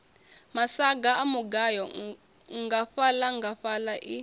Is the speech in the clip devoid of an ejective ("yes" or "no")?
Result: yes